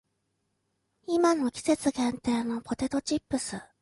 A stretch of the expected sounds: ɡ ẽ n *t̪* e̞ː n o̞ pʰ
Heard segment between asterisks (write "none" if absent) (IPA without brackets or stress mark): t̪